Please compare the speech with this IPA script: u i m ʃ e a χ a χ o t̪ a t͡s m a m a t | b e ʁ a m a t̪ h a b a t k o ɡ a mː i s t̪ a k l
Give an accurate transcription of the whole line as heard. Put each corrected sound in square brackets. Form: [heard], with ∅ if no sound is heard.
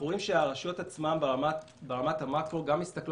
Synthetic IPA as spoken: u i m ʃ e a [ʁ] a [ʃ] o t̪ a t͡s m a m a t | b e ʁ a m a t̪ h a [m] a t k o ɡ a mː i s t̪ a k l